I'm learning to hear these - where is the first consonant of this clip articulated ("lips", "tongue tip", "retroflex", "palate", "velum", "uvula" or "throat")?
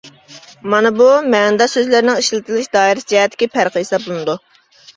lips